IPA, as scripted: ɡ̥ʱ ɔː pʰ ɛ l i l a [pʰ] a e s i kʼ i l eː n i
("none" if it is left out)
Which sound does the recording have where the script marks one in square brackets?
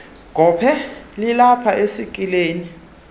pʰ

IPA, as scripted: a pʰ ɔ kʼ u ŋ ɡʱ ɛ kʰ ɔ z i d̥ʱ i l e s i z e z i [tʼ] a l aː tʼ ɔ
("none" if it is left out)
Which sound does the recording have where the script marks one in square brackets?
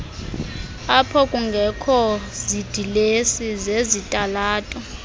tʼ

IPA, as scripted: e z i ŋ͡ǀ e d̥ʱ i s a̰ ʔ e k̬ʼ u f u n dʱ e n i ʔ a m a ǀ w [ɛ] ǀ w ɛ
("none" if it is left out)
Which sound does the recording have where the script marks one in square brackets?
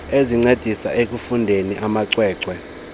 ɛː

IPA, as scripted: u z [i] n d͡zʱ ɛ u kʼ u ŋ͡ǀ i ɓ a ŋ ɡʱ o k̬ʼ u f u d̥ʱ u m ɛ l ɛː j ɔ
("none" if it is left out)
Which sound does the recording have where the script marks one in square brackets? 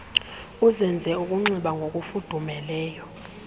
ɛ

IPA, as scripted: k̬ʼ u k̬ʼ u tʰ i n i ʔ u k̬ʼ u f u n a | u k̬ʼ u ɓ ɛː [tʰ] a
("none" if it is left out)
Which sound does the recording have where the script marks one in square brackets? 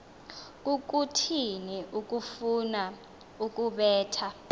tʰ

